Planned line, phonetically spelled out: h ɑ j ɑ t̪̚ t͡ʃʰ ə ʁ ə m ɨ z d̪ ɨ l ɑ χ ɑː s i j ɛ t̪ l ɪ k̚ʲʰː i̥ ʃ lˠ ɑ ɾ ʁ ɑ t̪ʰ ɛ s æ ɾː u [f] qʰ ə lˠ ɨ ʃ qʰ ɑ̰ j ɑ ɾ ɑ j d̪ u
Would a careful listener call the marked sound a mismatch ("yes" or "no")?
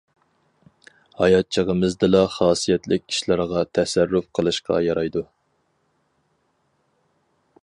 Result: no